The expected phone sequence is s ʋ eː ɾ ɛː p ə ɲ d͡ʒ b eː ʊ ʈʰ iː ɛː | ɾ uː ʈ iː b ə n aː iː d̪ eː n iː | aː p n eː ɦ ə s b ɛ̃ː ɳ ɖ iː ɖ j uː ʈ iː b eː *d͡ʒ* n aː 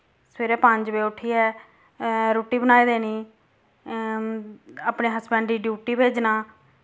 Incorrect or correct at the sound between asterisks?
correct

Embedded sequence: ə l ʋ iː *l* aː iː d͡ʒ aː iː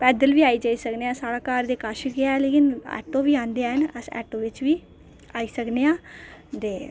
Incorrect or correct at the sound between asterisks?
incorrect: none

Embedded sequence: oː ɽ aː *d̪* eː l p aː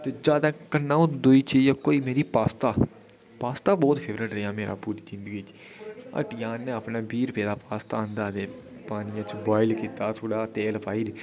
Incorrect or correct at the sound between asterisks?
incorrect: t̪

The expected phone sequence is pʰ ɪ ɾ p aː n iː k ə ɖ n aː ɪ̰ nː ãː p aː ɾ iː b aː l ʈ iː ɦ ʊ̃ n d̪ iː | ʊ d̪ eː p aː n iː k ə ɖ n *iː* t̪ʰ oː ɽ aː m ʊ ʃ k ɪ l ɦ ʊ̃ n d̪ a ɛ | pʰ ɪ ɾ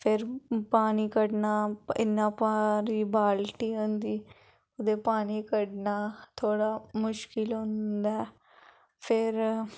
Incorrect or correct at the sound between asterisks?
incorrect: aː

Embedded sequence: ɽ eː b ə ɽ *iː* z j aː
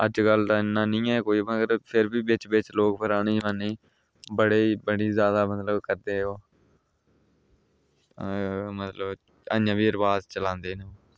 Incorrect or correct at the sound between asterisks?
correct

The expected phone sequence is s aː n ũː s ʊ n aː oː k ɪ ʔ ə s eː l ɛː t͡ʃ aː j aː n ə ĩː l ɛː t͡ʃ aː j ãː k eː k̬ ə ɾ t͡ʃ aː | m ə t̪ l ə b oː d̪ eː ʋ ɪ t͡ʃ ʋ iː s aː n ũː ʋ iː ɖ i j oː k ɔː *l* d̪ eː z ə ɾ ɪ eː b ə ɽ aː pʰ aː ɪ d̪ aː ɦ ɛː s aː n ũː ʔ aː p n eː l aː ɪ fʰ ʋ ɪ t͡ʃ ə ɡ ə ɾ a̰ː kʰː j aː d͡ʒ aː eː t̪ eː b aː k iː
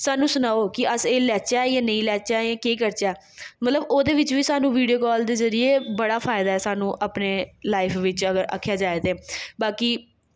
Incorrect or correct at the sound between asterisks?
correct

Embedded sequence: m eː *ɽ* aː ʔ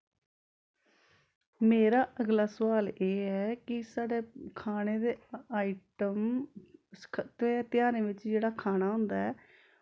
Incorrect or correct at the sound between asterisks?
incorrect: ɾ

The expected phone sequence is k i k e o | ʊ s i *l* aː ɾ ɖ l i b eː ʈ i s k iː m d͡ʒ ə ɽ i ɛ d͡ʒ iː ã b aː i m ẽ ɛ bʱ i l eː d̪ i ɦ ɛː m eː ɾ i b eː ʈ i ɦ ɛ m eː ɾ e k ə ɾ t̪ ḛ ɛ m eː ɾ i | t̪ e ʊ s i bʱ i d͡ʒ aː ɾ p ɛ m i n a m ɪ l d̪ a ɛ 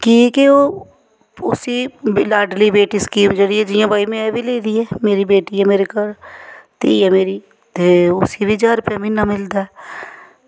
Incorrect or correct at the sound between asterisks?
correct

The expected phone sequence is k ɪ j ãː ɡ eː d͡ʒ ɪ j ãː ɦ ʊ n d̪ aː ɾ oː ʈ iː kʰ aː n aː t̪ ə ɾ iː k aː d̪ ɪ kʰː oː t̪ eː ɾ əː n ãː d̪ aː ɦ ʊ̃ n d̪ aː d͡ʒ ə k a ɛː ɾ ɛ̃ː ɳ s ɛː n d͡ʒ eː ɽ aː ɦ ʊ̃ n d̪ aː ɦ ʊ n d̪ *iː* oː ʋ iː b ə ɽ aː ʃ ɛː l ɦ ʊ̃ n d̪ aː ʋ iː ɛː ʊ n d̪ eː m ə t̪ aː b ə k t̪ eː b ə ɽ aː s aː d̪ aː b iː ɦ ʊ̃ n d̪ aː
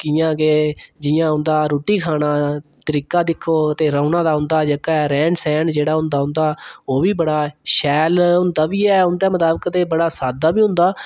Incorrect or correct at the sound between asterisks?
incorrect: aː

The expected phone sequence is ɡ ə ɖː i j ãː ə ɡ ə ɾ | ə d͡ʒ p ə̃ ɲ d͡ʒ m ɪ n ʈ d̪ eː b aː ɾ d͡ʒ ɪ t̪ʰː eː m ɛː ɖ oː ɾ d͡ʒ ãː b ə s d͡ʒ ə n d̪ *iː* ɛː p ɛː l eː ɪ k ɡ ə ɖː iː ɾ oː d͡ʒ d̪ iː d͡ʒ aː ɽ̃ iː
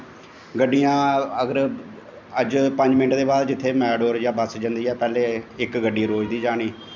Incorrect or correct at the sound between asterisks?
correct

